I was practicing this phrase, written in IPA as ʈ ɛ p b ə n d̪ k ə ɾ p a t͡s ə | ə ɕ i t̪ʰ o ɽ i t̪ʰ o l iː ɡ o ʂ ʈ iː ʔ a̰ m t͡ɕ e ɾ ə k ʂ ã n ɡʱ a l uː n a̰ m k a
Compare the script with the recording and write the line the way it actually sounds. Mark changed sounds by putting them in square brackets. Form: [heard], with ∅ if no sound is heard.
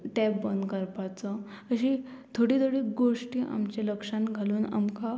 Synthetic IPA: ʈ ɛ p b ə n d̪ k ə ɾ p a t͡s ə | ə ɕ i t̪ʰ o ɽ i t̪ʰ o [ɽ] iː ɡ o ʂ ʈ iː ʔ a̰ m t͡ɕ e [l] ə k ʂ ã n ɡʱ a l uː n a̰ m k a